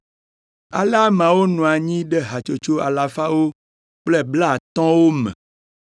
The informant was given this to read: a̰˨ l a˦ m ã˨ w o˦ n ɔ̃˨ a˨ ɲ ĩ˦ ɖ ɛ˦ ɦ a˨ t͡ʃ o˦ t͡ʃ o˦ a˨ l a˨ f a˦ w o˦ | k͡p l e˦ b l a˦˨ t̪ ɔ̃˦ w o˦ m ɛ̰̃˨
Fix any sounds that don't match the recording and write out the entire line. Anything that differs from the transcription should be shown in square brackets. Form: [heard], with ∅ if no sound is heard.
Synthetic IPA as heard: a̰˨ l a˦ m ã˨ w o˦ n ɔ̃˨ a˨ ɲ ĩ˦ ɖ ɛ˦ ɦ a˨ t͡ʃ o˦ t͡ʃ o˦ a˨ l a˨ f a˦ w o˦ | k͡p l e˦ b l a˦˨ t̪ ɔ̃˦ w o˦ m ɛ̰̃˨